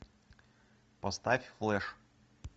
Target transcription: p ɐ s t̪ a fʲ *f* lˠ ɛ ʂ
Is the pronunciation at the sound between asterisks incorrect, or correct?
correct